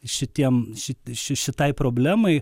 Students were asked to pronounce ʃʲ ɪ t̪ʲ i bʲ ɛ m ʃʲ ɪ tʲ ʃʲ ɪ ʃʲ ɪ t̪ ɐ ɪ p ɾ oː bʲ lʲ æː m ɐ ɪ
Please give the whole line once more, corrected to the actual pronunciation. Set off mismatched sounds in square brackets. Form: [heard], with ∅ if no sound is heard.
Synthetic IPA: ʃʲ ɪ t̪ʲ i [∅] ɛ m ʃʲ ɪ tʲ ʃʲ ɪ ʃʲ ɪ t̪ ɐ ɪ p ɾ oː bʲ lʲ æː m ɐ ɪ